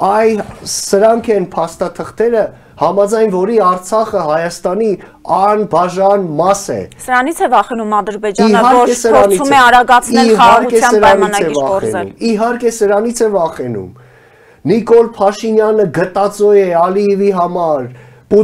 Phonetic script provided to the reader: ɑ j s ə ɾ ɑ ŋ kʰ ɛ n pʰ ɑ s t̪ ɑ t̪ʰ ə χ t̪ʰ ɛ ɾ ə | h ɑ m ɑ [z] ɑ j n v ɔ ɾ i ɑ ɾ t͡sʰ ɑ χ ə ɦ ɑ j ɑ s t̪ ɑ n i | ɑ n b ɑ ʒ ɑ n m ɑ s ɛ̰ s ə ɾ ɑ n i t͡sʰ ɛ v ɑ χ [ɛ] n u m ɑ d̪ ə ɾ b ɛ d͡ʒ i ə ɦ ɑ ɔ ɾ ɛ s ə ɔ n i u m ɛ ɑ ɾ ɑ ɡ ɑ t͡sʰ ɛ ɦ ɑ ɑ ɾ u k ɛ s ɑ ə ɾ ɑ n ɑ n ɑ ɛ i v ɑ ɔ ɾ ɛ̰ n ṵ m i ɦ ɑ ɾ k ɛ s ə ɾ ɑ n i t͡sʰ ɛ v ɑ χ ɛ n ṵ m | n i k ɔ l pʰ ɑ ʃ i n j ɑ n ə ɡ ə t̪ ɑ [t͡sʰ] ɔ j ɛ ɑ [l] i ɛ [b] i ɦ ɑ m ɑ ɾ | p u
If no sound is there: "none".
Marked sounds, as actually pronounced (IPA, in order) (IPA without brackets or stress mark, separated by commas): d͡z, ɛ, t͡s, l, v